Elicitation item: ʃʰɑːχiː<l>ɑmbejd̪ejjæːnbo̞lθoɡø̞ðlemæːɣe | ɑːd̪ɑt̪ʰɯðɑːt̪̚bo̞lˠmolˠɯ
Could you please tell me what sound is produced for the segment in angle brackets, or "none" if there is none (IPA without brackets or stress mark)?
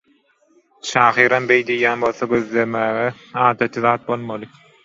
ɾ